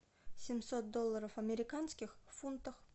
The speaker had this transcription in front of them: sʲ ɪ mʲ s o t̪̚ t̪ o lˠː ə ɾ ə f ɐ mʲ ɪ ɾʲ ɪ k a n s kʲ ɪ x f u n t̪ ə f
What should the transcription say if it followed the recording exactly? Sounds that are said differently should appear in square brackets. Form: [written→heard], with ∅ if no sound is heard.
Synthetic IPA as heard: sʲ ɪ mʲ s o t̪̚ [t̪→d̪] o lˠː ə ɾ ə f ɐ mʲ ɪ ɾʲ ɪ k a n s kʲ ɪ x f u n t̪ ə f